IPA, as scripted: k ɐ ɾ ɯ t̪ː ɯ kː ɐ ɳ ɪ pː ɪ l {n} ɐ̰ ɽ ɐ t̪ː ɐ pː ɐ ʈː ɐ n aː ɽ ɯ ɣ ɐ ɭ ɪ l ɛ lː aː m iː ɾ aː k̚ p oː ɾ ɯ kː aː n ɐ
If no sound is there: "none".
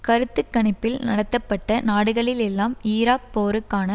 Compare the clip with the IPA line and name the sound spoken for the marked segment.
n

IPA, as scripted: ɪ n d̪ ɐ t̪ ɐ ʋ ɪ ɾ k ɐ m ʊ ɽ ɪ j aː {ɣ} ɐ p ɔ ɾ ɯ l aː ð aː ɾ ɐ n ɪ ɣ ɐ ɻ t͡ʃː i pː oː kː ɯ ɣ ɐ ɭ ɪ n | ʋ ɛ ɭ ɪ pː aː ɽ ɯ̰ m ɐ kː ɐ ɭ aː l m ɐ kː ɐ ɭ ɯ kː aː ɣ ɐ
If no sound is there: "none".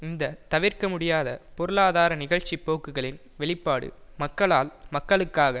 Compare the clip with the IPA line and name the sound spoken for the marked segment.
ð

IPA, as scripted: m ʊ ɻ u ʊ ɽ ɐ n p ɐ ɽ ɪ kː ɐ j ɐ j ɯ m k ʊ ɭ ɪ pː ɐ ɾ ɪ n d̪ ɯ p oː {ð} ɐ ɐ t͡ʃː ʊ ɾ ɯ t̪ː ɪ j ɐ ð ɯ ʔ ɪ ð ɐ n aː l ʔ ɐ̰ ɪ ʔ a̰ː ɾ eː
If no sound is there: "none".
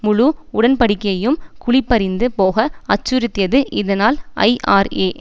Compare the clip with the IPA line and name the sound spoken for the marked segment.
ɣ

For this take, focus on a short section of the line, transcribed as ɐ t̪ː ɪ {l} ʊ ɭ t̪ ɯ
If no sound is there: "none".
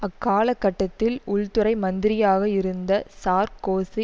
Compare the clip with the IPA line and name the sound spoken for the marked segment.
l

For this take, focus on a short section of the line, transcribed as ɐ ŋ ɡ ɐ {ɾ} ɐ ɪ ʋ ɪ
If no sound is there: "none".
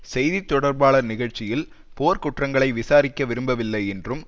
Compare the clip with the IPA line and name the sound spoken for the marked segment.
ɭ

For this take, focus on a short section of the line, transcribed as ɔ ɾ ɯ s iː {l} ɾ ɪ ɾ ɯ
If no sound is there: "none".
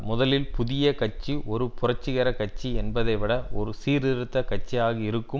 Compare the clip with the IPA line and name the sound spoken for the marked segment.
none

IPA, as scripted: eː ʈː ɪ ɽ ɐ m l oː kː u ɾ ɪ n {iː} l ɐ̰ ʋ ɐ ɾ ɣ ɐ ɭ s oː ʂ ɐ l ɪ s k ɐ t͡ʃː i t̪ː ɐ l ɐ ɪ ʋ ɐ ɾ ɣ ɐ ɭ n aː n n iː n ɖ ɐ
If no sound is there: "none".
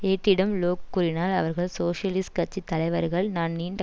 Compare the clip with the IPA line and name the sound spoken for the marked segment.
aː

